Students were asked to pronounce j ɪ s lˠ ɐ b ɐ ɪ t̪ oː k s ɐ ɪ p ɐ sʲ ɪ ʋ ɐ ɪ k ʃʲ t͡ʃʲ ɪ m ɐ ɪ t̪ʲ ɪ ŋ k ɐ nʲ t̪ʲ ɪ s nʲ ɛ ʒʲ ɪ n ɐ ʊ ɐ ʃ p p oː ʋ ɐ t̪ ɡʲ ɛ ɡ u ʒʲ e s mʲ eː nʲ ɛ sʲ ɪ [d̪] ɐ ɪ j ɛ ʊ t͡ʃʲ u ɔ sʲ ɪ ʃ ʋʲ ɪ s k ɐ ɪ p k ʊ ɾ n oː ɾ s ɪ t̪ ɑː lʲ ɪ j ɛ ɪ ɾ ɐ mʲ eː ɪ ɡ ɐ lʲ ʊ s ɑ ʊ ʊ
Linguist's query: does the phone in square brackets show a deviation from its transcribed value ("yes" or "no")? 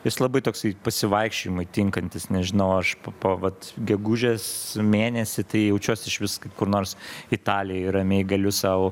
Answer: yes